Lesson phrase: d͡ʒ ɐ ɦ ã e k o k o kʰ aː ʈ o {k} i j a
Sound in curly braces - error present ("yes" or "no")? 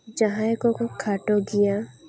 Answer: yes